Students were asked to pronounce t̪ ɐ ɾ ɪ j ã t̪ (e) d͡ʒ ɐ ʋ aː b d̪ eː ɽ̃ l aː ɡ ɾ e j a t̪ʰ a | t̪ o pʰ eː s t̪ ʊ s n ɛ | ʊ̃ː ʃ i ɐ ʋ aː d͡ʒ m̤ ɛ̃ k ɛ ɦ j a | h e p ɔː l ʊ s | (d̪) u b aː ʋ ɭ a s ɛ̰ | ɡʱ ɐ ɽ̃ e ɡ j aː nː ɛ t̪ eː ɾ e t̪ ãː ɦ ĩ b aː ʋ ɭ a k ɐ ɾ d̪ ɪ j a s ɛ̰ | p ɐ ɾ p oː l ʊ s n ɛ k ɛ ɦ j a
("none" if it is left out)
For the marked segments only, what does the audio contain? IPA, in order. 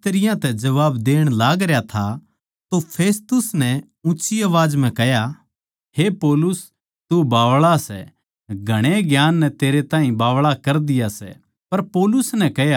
ɛ, t̪

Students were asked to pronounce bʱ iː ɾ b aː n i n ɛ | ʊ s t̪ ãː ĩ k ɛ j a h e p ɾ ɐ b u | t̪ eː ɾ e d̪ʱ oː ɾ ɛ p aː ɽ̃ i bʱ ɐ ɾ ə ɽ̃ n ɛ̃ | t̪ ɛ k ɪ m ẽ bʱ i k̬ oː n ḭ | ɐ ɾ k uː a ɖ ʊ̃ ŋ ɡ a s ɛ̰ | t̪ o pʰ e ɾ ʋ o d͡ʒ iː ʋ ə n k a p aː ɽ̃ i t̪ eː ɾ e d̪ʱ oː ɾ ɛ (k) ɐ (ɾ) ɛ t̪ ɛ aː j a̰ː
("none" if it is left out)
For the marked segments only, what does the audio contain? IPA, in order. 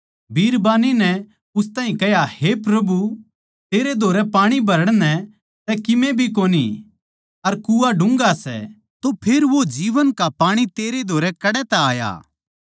k, ɽ

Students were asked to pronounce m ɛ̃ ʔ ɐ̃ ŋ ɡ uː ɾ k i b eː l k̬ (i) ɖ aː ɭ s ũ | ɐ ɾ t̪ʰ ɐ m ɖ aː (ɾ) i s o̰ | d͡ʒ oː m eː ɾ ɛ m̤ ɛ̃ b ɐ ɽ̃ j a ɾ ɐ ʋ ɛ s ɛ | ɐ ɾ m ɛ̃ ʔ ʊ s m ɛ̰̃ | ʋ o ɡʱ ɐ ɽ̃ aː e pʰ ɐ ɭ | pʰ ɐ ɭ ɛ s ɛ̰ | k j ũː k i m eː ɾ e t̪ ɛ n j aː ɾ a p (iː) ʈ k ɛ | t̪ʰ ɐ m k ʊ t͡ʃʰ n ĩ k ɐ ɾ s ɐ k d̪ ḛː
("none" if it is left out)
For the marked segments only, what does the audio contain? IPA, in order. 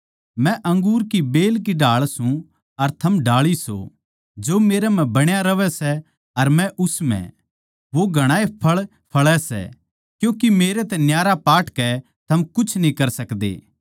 i, ɭ, aː

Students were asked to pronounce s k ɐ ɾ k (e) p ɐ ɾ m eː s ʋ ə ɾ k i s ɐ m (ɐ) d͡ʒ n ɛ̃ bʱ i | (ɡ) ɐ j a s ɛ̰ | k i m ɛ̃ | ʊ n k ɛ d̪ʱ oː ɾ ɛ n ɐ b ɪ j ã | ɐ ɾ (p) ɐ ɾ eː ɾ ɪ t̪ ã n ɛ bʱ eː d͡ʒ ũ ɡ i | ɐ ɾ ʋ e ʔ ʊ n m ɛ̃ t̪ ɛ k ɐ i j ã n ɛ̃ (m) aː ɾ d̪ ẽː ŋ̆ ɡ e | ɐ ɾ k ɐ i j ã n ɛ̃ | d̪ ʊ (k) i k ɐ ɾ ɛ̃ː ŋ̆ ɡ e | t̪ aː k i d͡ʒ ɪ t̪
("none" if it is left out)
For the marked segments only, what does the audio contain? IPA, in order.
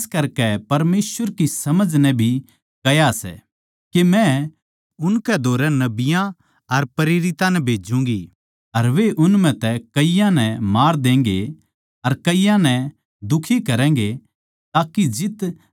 ɛ, ə, k, p, m, kʰ

